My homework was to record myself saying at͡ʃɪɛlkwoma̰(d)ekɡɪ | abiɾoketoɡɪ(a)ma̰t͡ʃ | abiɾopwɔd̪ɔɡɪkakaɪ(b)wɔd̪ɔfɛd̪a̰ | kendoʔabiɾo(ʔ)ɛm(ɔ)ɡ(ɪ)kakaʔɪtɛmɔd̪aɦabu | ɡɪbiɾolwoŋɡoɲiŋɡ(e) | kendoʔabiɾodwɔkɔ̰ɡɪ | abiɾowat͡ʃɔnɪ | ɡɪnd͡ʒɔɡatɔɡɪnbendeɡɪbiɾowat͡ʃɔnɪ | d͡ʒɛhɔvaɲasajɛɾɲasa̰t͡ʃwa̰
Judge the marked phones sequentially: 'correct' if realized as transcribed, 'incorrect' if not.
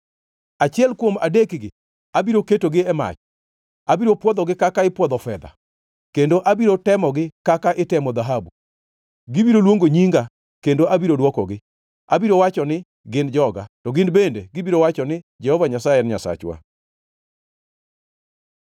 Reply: correct, incorrect, incorrect, incorrect, correct, correct, incorrect

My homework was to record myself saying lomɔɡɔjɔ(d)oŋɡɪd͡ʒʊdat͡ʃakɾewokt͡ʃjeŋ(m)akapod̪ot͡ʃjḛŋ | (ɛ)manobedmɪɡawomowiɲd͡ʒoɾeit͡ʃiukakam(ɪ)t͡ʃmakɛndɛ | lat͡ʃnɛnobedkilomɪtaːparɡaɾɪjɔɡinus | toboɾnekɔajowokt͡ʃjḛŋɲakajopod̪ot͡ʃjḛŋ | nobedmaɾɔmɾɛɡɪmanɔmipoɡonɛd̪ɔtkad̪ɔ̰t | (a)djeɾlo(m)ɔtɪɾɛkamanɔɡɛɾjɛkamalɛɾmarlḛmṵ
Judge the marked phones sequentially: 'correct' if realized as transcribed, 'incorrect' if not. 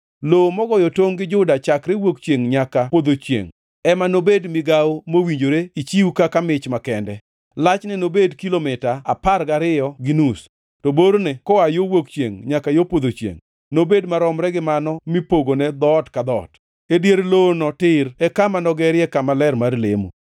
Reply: incorrect, incorrect, correct, correct, incorrect, incorrect

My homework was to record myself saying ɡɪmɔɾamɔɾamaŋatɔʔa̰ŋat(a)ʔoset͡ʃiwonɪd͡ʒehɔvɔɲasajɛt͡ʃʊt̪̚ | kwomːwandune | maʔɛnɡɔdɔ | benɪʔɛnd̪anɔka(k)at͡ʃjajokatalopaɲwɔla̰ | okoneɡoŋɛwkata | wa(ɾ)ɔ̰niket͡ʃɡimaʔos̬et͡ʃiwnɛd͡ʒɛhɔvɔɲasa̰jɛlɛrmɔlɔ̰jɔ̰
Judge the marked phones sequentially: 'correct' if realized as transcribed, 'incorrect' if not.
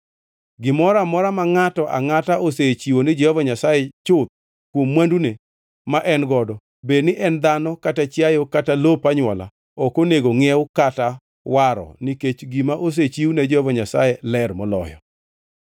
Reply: correct, incorrect, correct

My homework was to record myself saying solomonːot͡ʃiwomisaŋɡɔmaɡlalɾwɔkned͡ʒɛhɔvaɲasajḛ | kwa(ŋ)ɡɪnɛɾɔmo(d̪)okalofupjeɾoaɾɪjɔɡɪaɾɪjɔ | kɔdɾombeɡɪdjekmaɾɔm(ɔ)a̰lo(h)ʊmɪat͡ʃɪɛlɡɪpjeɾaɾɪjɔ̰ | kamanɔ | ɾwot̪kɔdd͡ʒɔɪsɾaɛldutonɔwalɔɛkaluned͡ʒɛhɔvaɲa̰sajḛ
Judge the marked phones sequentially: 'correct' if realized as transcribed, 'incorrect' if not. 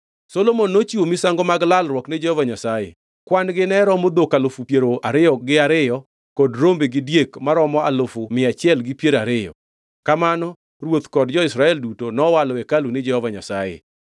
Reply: incorrect, correct, correct, incorrect

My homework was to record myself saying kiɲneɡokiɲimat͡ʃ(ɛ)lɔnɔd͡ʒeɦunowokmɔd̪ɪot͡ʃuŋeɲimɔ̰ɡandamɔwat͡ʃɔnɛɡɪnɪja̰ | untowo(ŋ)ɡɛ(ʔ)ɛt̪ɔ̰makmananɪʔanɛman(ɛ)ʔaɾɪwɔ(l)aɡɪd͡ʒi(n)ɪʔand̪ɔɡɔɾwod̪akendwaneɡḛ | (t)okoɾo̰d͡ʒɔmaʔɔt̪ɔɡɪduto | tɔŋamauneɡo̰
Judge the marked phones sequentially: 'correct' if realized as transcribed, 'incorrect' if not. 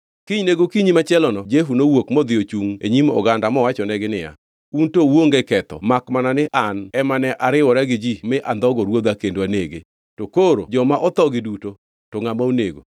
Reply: correct, correct, incorrect, correct, incorrect, incorrect, correct

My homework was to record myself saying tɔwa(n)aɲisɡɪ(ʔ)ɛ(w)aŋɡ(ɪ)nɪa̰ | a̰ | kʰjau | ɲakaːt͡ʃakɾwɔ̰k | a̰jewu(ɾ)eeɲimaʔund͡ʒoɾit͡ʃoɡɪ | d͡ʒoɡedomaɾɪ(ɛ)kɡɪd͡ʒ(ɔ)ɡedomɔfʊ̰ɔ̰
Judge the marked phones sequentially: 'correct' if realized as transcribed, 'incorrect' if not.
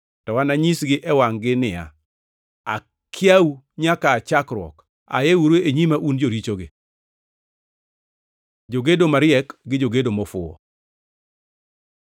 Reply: correct, correct, correct, correct, correct, correct, incorrect

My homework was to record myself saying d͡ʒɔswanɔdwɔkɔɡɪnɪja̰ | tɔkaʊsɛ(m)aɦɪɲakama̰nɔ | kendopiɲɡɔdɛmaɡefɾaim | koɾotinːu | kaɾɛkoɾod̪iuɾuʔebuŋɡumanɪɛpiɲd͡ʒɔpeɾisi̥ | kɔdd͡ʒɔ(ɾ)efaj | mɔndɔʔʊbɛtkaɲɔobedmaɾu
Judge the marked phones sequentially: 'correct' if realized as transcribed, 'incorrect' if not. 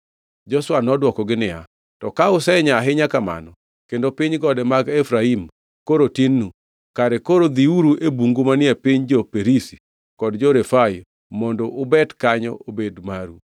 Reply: incorrect, correct

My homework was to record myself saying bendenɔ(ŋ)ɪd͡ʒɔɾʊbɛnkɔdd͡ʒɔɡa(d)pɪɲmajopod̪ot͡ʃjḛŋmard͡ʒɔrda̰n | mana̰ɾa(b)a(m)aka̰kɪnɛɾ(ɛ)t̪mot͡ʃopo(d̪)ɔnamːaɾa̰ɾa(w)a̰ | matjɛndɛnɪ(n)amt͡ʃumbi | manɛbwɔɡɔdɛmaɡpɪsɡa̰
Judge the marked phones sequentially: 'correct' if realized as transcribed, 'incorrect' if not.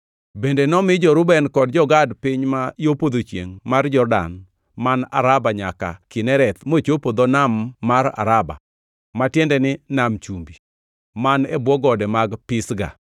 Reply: incorrect, correct, correct, incorrect, correct, correct, incorrect, correct

